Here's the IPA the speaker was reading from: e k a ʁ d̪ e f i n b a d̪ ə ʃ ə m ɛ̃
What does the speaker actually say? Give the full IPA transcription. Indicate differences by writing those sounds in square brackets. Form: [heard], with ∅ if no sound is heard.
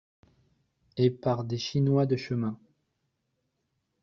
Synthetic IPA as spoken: e [p] a ʁ d̪ e [ʃ] i n [w] a d̪ ə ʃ ə m ɛ̃

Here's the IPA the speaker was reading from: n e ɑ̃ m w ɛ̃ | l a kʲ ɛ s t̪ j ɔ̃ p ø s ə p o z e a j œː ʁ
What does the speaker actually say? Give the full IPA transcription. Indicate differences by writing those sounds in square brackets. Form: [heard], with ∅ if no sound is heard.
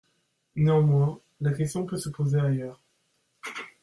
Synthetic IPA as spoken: n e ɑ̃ m w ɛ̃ | l a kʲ ɛ s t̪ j ɔ̃ p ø s ə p o z e a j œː ʁ

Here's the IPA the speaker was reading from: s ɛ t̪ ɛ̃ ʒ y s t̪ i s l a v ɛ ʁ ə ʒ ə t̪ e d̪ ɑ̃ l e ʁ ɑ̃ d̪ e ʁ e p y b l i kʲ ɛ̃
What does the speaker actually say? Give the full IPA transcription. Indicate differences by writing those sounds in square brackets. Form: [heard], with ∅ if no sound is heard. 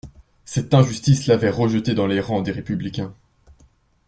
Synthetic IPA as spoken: s ɛ t̪ ɛ̃ ʒ y s t̪ i s l a v ɛ ʁ ə ʒ ə t̪ e d̪ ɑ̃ l e ʁ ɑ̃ d̪ e ʁ e p y b l i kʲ ɛ̃

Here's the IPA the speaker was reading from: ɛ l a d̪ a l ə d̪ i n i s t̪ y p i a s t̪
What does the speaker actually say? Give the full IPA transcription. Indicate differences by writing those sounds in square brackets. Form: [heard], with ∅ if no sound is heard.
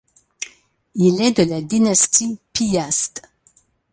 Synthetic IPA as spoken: [i] l [ɛ] d̪ [ə] l [a] d̪ i n [a] s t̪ [i] p i a s t̪

